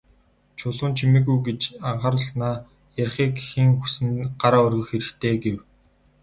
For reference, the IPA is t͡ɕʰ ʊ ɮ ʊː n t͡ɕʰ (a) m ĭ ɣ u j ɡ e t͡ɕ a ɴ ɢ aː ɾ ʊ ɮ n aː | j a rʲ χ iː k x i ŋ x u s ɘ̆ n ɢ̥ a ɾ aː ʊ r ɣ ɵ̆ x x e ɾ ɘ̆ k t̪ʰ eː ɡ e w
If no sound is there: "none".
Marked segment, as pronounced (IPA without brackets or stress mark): i